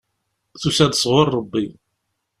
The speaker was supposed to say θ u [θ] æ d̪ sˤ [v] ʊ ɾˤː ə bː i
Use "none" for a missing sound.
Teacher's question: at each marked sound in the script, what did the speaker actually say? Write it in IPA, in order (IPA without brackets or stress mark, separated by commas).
s, ʁ